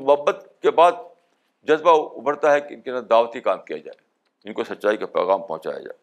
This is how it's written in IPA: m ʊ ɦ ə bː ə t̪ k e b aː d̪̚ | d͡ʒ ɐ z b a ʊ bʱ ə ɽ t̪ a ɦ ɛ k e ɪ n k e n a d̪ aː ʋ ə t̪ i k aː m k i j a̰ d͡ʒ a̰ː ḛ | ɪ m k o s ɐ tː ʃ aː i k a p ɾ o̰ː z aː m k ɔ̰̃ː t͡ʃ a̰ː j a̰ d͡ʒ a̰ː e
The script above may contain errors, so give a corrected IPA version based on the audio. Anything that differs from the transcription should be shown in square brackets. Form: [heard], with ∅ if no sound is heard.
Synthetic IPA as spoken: m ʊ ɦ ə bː ə t̪ k e b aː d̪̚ | d͡ʒ ɐ z b a ʊ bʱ ə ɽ t̪ a ɦ ɛ k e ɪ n k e n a d̪ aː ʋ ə t̪ i k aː m k i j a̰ d͡ʒ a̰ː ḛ | ɪ [n] k o s ɐ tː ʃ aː i k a p ɾ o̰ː [ɣ] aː m [p] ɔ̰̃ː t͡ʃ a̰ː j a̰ d͡ʒ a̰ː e